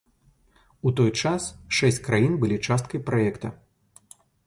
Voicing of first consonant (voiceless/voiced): voiceless